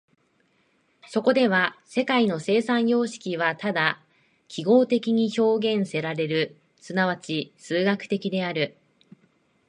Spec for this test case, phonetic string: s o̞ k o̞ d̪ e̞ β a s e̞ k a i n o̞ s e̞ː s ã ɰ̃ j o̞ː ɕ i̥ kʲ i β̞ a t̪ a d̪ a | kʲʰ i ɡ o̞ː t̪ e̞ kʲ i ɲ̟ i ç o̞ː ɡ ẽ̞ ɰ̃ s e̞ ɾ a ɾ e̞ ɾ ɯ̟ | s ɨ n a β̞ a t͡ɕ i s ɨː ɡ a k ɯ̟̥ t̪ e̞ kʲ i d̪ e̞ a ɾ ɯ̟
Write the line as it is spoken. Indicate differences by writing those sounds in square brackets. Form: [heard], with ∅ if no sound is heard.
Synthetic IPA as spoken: s o̞ k o̞ d̪ e̞ β a s e̞ k a i n o̞ s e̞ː s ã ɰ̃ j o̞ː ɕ i̥ kʲ i β̞ a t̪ a d̪ a | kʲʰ i ɡ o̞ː t̪ e̞ kʲ i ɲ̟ i ç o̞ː ɡ ẽ̞ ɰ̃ s e̞ ɾ a ɾ e̞ ɾ ɯ̟ | s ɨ n a β̞ a t͡ɕ i s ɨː ɡ a k ɯ̟̥ t̪ e̞ kʲ i d̪ e̞ a ɾ ɯ̟